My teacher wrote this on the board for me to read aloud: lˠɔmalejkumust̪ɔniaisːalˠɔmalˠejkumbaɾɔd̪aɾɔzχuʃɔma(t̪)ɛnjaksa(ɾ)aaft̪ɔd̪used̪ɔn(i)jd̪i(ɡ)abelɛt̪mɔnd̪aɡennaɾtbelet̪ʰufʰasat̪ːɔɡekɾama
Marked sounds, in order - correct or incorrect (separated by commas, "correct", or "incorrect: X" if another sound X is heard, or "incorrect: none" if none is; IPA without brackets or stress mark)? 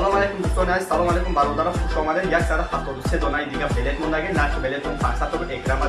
incorrect: d̪, correct, incorrect: a, correct